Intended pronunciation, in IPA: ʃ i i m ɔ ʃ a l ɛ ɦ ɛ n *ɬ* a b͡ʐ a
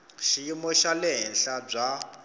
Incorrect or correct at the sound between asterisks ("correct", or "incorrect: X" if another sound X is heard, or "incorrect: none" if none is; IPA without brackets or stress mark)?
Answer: correct